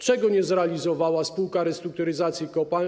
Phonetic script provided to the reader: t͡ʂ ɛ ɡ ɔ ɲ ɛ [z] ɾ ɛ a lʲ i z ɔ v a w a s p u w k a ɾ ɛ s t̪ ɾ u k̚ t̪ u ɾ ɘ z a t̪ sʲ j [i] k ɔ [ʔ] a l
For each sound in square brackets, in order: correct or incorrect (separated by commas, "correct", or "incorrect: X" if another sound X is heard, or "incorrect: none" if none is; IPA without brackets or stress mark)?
correct, correct, incorrect: p